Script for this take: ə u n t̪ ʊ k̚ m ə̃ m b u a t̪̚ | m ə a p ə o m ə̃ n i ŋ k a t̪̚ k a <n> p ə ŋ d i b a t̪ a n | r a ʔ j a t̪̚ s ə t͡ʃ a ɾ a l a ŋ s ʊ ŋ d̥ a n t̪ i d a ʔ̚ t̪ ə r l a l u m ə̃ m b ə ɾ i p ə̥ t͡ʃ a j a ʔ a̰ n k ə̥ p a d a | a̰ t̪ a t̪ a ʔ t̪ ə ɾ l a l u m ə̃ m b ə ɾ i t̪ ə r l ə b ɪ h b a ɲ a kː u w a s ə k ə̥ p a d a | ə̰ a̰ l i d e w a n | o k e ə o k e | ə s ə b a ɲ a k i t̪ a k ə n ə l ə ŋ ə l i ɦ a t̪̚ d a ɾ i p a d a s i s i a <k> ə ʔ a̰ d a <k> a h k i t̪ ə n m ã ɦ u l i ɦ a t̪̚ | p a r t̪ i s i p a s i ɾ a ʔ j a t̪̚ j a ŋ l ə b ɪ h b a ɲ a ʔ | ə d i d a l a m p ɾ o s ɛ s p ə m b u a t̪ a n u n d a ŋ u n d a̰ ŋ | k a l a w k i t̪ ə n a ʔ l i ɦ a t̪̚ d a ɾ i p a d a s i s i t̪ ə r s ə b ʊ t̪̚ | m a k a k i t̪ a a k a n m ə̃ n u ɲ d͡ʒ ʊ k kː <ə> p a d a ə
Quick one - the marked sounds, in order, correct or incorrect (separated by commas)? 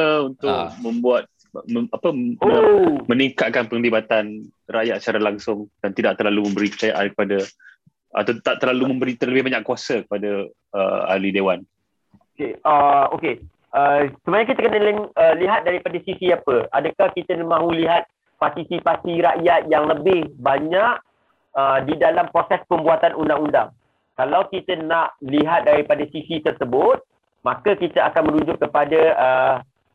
correct, incorrect, correct, correct